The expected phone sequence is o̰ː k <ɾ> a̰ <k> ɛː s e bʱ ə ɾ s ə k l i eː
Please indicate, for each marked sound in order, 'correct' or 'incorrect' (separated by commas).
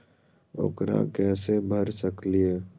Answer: correct, correct